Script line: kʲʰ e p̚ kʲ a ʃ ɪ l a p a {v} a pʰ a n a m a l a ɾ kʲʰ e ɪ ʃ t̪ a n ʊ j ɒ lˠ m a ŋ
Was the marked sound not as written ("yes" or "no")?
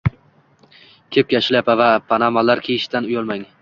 no